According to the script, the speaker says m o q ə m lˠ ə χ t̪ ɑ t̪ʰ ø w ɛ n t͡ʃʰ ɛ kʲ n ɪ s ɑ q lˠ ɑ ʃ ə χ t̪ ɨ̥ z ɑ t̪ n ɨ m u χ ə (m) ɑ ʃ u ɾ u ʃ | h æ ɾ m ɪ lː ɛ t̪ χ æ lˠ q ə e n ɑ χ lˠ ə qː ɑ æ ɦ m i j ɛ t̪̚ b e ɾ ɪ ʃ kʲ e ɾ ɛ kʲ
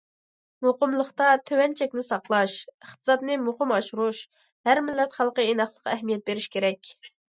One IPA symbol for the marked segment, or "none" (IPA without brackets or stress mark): m